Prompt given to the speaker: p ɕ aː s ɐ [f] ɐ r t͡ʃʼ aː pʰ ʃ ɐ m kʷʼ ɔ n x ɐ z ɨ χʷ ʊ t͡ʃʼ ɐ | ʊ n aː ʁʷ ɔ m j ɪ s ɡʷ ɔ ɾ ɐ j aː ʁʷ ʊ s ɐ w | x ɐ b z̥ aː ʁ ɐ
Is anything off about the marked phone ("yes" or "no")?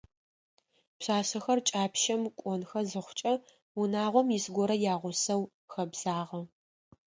yes